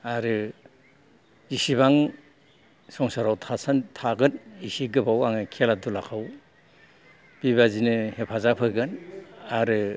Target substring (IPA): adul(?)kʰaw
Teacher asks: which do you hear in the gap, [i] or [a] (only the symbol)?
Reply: a